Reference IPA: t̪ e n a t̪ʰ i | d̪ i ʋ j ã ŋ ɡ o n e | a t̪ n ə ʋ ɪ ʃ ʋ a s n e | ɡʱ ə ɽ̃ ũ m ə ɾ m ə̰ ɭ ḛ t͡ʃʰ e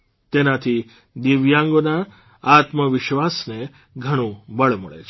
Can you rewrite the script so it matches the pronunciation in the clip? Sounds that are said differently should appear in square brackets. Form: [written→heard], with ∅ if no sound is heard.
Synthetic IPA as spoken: t̪ e n a t̪ʰ i | d̪ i ʋ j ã ŋ ɡ o n [e→a] | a t̪ [n→m] ə ʋ ɪ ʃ ʋ a s n e | ɡʱ ə ɽ̃ ũ [m→b] ə [ɾ→ɭ] m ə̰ ɭ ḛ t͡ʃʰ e